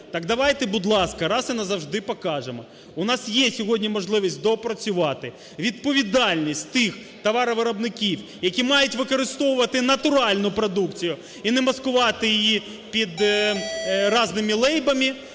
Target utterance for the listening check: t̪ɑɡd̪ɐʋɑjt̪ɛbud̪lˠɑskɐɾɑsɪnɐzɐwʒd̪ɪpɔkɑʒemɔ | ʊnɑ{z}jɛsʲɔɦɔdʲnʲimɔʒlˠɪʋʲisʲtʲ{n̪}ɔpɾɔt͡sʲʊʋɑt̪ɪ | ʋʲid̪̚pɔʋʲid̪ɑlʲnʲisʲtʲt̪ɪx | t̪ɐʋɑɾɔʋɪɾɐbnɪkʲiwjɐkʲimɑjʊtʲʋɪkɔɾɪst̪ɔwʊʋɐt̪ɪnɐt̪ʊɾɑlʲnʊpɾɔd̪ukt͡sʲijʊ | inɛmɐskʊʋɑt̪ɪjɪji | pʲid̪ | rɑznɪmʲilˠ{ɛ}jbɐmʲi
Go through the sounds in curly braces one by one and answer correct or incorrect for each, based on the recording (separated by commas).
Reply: incorrect, incorrect, correct